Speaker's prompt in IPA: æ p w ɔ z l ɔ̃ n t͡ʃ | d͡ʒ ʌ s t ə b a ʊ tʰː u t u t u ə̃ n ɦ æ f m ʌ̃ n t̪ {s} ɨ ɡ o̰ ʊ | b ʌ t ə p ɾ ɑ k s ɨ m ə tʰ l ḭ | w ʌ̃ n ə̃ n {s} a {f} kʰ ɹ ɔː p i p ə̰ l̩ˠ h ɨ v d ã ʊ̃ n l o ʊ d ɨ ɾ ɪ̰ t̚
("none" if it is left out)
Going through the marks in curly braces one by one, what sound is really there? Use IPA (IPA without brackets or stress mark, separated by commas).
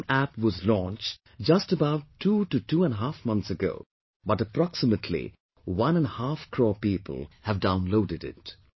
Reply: s, h, f